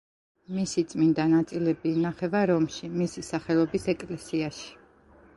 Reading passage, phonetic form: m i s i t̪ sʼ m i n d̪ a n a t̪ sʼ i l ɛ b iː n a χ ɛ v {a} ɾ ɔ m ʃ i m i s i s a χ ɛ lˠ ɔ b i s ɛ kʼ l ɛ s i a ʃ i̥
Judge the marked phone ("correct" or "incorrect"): correct